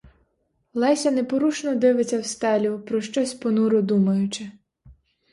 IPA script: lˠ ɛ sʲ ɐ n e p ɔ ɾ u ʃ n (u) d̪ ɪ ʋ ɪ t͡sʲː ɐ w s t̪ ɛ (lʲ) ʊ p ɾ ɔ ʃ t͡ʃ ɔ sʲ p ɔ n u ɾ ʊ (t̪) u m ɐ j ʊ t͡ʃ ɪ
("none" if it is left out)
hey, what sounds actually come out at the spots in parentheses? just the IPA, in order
ɔ, lʲ, d̪

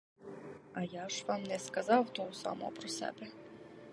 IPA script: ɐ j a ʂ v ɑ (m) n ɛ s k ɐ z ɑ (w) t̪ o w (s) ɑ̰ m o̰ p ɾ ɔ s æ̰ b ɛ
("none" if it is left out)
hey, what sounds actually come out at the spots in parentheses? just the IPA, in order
m, w, s

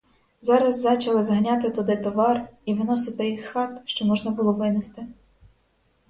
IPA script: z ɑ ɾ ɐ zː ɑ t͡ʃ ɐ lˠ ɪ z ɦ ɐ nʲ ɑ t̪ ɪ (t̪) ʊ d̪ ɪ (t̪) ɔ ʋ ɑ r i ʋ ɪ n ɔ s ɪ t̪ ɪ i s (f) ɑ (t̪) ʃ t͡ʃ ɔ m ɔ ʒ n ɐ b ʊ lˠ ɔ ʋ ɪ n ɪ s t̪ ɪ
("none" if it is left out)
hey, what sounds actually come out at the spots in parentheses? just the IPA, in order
t̪, t̪, x, t̪

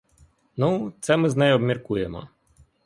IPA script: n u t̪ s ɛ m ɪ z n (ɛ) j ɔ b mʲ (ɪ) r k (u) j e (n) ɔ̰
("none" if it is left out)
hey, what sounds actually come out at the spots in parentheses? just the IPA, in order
ɛ, i, u, m

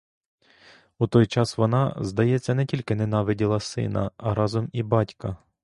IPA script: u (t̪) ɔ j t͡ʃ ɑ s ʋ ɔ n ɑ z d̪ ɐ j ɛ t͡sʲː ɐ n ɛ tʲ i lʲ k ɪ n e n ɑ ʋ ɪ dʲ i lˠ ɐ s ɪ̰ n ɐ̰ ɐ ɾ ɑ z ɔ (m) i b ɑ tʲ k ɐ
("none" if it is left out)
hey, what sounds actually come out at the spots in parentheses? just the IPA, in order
t̪, m

